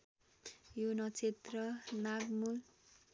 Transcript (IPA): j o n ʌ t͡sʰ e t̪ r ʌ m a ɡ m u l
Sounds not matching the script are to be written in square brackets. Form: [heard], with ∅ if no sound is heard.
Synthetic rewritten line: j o n ʌ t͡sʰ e t̪ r ʌ [n] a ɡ m u l